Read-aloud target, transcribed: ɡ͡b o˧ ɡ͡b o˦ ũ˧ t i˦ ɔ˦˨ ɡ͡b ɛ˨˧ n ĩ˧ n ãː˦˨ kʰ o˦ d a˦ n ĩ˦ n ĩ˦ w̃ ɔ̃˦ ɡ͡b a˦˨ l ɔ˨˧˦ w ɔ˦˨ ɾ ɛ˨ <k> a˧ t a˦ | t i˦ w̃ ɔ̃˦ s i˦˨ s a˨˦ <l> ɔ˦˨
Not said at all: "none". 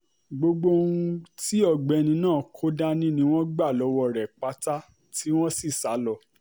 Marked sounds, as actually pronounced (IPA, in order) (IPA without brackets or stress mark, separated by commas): k͡p, l